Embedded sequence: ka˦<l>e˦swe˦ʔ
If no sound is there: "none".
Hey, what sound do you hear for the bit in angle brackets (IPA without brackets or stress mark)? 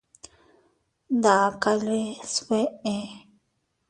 l